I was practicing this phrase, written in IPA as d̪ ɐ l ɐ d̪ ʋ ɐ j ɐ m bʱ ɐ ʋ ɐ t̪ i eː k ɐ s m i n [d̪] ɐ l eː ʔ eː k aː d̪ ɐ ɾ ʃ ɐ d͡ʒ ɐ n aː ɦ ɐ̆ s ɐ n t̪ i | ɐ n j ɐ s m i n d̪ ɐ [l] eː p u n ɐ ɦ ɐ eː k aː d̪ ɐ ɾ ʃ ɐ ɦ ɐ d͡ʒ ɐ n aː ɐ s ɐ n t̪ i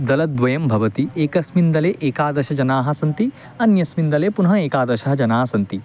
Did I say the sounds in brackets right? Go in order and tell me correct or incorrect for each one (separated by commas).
correct, correct